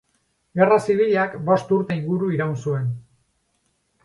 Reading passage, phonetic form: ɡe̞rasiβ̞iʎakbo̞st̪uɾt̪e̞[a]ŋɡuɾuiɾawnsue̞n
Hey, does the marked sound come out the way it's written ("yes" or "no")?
no